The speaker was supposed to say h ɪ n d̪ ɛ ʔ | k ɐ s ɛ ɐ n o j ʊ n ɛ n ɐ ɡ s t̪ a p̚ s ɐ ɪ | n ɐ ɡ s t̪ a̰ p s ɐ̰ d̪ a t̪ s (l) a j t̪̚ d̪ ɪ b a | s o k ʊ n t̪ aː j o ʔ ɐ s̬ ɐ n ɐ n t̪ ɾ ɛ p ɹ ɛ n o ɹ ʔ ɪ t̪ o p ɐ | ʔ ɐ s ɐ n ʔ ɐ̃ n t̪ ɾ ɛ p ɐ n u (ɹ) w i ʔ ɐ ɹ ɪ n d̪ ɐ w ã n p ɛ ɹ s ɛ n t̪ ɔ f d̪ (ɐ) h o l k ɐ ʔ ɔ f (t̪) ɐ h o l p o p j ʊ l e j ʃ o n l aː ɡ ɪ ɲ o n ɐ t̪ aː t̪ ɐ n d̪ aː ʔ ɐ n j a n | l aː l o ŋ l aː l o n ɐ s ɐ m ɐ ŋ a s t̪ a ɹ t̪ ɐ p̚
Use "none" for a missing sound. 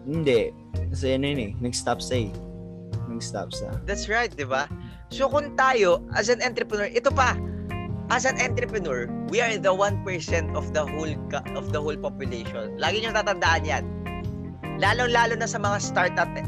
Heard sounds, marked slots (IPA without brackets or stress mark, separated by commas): ɹ, ɹ, ɐ, d̪